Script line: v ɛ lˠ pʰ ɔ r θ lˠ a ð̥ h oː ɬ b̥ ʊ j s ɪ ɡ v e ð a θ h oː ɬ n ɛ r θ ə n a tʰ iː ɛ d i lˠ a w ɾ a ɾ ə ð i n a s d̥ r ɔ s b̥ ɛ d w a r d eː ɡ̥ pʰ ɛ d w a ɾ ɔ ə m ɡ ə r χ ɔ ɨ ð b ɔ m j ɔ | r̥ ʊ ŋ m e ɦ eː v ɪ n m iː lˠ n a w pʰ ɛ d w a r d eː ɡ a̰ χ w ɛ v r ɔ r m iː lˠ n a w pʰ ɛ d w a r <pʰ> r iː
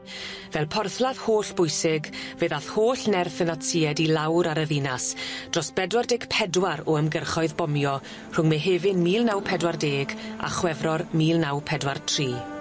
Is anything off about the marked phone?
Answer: yes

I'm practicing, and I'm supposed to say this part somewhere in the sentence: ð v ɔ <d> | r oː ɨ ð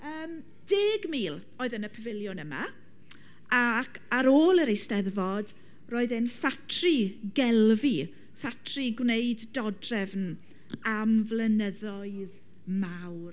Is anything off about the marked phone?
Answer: no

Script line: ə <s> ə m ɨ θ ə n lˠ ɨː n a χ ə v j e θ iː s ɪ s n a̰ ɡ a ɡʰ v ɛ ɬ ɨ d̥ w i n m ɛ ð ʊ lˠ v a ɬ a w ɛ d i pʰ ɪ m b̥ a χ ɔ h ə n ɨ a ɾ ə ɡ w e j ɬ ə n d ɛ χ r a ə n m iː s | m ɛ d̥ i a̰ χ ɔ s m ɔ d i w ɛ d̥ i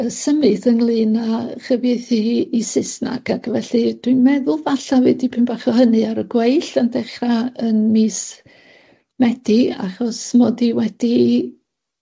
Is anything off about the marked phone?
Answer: no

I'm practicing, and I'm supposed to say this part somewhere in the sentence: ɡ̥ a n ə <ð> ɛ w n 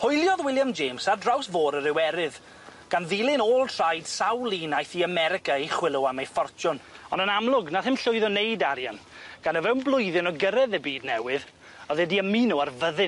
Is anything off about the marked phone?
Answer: yes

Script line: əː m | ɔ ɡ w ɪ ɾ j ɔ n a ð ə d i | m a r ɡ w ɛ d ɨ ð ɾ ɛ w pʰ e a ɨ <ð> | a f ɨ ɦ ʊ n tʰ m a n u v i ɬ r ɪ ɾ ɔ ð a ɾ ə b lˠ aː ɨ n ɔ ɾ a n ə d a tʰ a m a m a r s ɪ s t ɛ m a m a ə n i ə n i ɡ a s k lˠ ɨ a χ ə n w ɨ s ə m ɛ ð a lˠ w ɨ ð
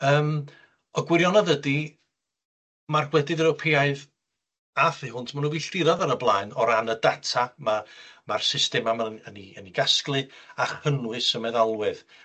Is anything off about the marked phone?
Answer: no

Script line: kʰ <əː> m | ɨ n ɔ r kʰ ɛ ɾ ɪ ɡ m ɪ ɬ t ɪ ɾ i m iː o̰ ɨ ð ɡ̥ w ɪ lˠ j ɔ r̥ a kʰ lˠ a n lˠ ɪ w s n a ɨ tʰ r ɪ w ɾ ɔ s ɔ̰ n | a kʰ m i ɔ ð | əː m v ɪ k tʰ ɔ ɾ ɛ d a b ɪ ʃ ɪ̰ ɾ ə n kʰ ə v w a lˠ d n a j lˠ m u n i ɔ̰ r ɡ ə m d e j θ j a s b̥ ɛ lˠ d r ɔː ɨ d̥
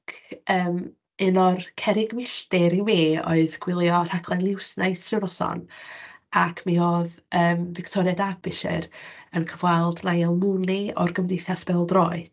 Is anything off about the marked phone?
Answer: no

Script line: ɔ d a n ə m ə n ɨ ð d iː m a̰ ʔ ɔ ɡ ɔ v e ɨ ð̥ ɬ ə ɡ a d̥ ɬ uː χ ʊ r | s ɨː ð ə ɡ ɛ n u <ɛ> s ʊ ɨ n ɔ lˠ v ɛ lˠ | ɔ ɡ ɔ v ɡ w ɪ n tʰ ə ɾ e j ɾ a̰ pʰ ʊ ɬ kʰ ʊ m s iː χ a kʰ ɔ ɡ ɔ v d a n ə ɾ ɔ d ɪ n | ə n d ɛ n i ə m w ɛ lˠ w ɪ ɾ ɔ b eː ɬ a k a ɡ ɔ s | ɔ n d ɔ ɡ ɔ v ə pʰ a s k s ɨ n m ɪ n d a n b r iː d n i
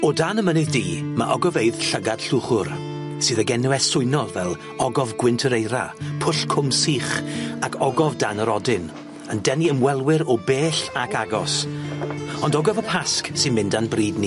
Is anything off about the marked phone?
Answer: no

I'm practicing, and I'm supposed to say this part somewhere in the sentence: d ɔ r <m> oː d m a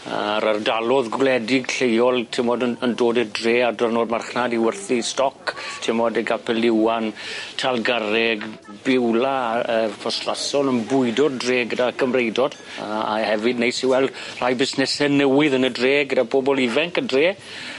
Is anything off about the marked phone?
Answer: yes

